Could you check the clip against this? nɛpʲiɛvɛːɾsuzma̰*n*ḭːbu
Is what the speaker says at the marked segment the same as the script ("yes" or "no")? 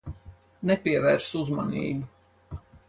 yes